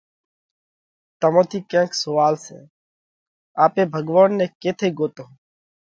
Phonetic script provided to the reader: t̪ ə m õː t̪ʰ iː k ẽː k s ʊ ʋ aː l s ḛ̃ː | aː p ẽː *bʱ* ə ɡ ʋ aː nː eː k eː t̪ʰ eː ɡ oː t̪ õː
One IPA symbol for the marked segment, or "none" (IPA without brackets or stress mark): bʱ